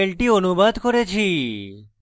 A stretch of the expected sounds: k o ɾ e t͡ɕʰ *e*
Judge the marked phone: incorrect: i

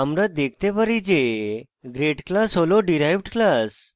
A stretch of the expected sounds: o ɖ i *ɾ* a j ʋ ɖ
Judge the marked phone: correct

